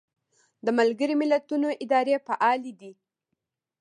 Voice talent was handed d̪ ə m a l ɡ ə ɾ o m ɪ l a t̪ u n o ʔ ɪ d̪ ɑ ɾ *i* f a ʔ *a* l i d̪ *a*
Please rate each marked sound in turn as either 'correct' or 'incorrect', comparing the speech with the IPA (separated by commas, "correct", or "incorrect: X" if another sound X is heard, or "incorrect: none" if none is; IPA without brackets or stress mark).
incorrect: e, incorrect: ɑ, incorrect: i